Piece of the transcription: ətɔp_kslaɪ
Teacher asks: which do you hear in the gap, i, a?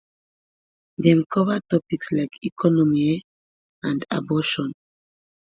i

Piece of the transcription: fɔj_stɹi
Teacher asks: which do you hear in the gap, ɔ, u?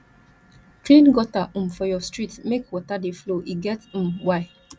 ɔ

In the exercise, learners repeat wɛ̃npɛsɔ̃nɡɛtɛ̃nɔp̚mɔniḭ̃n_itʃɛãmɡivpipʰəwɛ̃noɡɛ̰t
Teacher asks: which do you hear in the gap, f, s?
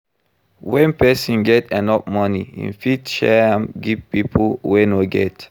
f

